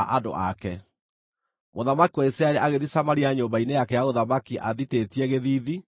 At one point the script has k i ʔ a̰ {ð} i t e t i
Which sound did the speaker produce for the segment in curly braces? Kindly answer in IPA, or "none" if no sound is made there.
ð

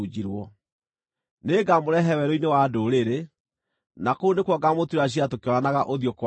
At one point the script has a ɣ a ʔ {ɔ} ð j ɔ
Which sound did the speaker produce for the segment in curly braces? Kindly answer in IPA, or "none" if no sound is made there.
o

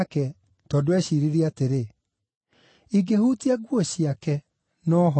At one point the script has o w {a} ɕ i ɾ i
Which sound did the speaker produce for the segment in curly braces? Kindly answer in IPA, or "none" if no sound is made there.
ɛ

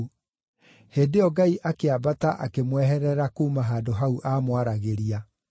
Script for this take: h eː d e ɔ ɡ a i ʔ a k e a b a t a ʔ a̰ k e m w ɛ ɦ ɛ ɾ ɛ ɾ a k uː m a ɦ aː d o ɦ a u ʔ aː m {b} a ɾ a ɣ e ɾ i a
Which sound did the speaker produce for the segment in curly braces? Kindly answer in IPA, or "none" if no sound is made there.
w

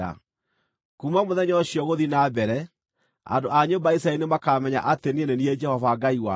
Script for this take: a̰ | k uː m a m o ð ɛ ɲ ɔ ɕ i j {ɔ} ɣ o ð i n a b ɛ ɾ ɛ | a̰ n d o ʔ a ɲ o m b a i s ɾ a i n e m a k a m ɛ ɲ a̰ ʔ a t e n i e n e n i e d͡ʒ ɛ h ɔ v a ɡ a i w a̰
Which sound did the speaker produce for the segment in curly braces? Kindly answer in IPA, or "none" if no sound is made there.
ɔ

